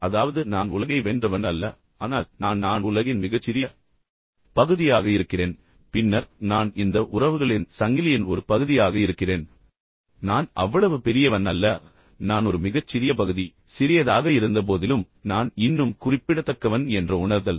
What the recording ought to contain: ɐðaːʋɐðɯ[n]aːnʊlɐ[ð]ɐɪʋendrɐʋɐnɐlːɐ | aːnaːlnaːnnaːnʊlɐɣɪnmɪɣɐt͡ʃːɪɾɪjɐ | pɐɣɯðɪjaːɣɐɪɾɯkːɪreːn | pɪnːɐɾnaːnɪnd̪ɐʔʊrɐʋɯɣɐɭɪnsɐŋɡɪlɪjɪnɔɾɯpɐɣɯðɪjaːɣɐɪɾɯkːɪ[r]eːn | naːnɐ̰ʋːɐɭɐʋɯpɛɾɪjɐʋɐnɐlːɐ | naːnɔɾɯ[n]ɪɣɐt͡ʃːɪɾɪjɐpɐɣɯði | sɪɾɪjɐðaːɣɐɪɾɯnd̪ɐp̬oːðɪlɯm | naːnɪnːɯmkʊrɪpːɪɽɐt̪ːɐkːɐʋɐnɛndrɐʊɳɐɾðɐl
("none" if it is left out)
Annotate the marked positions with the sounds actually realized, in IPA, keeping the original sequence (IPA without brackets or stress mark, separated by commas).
n, ɣ, r, m